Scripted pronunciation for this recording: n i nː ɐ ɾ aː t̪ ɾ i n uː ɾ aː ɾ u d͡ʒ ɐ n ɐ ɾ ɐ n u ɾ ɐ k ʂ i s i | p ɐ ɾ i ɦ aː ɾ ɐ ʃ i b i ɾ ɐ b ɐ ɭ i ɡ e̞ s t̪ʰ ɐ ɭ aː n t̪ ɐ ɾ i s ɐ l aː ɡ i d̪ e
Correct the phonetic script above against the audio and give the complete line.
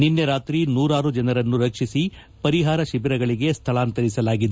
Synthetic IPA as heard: n i nː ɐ ɾ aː t̪ ɾ i n uː ɾ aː ɾ u d͡ʒ ɐ n ɐ ɾ ɐ nː u ɾ ɐ k ʂ i s i | p ɐ ɾ i ɦ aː ɾ ɐ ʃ i b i ɾ ɐ ɡ ɐ ɭ i ɡ e̞ s t̪ʰ ɐ ɭ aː n t̪ ɐ ɾ i s ɐ l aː ɡ i d̪ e